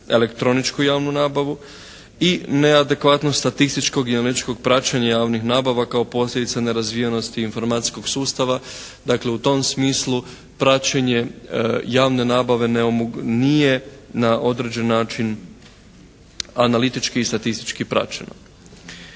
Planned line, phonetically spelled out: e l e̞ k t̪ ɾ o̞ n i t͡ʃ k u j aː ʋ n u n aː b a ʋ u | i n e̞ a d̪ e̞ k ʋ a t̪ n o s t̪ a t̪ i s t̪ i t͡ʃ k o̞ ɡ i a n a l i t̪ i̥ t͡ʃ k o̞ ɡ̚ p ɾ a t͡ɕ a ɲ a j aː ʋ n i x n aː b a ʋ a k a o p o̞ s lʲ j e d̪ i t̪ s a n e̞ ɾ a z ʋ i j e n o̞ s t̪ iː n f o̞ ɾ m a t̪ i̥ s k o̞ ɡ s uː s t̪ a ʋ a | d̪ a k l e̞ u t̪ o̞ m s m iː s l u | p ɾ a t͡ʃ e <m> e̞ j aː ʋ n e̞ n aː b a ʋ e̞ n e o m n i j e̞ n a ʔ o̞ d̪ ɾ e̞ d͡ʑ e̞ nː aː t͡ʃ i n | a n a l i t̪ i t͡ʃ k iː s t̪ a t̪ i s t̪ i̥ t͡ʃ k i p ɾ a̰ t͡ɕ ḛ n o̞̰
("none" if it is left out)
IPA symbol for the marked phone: ɲ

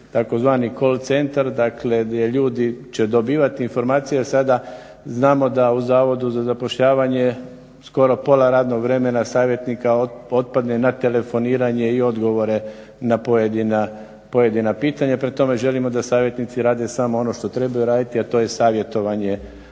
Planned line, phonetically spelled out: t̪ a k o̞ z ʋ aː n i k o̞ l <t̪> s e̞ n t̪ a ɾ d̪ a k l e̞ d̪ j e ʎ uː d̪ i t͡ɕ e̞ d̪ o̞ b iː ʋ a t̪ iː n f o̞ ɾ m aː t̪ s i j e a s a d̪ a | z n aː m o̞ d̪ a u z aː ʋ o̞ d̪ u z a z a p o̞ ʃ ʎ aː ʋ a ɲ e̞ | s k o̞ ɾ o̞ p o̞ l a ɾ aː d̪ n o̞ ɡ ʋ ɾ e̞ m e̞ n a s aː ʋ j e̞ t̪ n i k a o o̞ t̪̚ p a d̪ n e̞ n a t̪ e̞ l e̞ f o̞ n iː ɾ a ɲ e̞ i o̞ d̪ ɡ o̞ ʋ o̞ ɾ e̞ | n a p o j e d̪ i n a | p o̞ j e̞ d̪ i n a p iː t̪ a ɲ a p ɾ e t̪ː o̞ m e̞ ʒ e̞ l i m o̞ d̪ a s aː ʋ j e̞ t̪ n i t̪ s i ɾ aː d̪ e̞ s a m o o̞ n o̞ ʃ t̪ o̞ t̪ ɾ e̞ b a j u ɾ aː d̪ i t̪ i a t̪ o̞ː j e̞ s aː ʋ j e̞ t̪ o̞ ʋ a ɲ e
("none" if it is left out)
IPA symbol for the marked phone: t̪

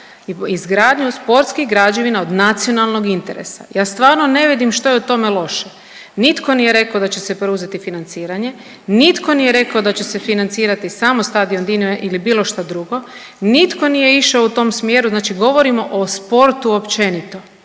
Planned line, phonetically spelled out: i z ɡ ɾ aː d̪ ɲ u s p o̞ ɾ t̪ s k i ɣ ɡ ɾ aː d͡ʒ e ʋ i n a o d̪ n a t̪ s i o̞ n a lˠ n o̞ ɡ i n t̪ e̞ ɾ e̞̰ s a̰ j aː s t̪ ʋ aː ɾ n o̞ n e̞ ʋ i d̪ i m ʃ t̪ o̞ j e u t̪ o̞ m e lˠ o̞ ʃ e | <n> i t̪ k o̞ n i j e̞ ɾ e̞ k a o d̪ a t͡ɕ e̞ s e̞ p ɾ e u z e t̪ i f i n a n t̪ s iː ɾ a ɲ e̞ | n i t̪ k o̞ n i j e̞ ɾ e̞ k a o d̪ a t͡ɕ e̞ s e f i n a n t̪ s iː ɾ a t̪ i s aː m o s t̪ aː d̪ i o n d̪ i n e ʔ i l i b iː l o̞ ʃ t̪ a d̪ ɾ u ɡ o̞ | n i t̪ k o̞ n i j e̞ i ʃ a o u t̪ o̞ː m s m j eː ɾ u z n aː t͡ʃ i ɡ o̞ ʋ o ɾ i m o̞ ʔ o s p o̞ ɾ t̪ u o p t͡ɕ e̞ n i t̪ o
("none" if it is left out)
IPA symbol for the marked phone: n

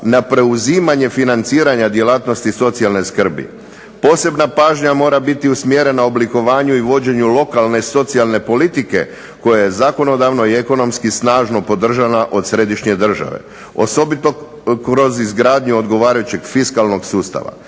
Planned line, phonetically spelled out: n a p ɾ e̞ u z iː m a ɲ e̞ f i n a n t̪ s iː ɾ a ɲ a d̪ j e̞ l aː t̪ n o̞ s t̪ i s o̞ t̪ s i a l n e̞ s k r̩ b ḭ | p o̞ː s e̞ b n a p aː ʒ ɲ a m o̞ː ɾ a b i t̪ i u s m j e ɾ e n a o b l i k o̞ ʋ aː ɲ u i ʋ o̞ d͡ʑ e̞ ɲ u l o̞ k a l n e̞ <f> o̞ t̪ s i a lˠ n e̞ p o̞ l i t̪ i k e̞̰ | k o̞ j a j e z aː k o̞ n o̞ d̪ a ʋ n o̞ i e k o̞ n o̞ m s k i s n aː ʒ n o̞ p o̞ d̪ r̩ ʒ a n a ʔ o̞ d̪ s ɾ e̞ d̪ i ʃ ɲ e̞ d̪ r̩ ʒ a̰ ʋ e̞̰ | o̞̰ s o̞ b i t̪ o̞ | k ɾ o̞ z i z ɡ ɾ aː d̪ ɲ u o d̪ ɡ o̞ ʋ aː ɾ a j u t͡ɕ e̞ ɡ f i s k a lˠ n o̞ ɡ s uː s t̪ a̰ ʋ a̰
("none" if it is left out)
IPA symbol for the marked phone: s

